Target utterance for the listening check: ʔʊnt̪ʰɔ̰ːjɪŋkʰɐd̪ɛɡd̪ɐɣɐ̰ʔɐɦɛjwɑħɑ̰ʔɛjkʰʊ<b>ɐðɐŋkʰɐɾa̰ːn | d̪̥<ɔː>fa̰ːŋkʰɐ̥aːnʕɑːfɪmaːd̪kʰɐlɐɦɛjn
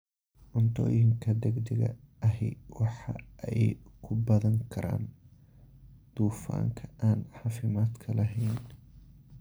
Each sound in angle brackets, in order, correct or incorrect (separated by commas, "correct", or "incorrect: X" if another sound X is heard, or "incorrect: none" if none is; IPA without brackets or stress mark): correct, incorrect: uː